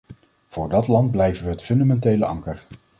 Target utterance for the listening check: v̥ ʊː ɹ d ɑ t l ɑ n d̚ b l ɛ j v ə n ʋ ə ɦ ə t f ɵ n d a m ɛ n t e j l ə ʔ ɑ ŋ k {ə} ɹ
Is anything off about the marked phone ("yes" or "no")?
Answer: no